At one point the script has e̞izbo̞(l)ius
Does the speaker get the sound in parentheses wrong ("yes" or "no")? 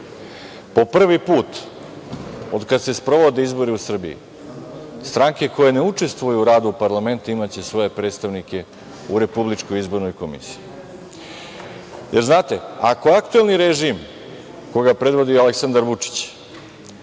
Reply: yes